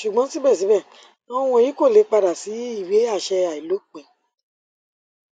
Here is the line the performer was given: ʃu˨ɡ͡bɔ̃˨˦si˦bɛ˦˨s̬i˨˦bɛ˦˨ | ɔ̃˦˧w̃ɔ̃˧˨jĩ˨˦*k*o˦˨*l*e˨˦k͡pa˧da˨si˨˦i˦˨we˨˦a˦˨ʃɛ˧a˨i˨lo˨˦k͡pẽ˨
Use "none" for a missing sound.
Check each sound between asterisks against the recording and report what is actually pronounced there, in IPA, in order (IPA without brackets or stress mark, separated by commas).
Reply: k, l